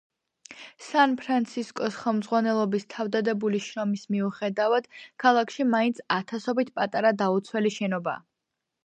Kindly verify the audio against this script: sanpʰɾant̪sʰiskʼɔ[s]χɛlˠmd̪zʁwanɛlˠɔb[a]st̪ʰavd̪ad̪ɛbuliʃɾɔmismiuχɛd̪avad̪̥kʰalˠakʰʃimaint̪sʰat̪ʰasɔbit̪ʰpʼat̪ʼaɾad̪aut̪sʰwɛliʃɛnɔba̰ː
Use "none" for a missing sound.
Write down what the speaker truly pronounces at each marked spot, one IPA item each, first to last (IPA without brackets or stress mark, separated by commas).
s, i